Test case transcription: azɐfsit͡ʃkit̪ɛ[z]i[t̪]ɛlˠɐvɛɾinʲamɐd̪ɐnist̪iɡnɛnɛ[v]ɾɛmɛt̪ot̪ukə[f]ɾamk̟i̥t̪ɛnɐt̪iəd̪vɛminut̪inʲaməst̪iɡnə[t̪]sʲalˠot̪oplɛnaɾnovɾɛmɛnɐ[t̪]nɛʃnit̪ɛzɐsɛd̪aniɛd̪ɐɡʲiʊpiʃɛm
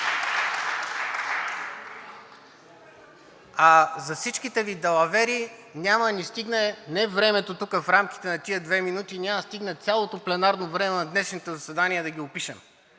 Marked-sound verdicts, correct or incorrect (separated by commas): incorrect, incorrect, correct, correct, correct, incorrect